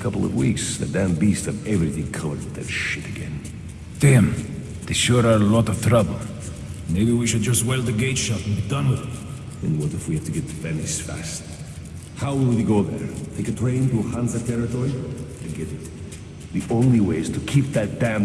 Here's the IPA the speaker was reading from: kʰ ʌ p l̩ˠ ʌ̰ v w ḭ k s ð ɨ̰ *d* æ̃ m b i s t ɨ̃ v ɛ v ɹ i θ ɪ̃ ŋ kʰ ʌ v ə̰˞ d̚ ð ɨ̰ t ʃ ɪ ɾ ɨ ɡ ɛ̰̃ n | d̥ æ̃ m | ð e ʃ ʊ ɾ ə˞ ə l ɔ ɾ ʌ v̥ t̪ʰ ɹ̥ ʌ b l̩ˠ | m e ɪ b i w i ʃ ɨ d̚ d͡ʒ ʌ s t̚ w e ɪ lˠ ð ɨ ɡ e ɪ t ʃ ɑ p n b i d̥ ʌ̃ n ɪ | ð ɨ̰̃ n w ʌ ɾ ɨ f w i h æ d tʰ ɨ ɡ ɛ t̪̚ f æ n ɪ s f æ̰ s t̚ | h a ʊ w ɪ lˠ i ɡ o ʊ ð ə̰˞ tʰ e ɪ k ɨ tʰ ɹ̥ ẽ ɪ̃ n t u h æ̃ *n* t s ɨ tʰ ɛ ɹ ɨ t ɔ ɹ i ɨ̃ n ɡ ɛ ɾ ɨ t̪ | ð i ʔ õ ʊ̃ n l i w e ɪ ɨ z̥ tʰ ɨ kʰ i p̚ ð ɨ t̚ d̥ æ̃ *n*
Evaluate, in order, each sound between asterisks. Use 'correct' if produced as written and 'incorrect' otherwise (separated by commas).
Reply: correct, correct, incorrect